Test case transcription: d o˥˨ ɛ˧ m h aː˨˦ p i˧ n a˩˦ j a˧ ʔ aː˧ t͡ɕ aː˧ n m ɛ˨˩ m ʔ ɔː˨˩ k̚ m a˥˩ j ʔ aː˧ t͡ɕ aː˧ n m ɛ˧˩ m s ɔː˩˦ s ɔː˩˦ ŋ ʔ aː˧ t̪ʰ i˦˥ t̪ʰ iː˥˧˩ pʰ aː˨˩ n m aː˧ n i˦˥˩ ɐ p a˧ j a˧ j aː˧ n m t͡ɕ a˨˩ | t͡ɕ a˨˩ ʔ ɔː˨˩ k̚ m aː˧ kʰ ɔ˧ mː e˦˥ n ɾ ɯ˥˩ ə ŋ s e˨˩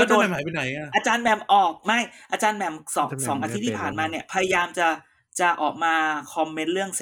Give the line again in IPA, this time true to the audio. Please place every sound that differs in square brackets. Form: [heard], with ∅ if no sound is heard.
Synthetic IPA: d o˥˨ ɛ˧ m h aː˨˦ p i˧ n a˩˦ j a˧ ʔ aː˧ t͡ɕ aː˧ n m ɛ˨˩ m ʔ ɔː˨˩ k̚ m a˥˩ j ʔ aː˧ t͡ɕ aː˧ n m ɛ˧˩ m s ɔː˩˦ s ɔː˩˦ ŋ ʔ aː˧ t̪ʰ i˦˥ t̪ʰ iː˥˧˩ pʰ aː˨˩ n m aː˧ n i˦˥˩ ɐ [pʰ] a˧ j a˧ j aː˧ [∅] m t͡ɕ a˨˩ | t͡ɕ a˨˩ ʔ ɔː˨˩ k̚ m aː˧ kʰ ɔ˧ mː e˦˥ n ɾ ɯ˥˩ ə ŋ s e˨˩